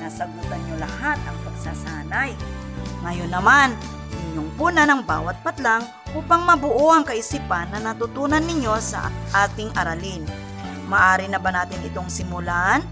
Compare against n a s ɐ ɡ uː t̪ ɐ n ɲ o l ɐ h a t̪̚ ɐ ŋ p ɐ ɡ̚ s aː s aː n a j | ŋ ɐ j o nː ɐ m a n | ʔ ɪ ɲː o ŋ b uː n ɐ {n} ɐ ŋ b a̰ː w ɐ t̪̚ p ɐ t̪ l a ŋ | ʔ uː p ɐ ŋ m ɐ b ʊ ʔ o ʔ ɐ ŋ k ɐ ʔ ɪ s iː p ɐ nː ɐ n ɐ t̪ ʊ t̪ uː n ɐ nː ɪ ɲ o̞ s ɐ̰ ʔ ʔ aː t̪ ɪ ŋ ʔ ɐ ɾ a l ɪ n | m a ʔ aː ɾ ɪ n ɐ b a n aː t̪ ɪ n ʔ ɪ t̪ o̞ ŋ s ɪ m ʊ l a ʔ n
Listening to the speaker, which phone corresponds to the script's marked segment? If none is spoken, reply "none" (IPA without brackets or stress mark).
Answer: n